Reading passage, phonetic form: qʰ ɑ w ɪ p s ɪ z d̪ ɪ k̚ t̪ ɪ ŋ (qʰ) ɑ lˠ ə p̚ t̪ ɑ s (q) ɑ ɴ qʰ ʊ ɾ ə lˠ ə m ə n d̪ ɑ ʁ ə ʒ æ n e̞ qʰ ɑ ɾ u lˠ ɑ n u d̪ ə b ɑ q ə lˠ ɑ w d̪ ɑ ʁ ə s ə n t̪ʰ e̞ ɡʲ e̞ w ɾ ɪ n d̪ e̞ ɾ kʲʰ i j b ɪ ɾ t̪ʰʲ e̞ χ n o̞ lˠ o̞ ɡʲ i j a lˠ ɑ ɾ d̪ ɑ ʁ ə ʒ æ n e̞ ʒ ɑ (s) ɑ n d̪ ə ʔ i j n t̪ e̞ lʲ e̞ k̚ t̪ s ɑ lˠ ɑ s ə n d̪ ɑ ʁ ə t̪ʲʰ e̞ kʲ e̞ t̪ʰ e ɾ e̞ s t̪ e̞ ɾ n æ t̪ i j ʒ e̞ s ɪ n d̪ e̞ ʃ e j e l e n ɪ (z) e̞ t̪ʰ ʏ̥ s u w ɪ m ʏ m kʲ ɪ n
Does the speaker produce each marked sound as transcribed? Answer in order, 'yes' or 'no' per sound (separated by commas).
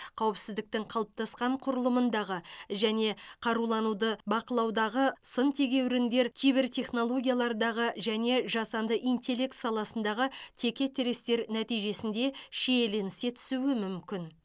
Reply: yes, yes, yes, no